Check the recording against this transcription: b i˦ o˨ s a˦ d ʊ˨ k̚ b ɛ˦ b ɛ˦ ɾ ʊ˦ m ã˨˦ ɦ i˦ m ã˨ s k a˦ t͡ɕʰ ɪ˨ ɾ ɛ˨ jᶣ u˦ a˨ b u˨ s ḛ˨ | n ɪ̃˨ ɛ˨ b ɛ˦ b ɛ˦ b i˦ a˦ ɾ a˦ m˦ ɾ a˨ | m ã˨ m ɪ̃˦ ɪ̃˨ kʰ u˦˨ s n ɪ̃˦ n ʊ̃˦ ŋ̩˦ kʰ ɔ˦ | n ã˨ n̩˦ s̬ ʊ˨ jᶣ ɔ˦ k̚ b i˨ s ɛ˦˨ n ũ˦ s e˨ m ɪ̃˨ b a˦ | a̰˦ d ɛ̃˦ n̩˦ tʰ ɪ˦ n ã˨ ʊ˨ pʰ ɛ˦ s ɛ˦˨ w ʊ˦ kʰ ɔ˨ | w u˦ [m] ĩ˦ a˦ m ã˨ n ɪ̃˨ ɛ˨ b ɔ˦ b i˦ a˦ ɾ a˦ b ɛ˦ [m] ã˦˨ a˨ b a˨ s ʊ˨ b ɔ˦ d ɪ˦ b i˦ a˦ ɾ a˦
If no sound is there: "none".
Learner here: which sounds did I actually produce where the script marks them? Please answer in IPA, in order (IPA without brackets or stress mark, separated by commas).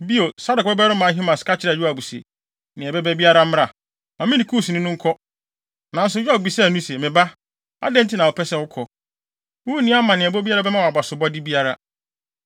n, m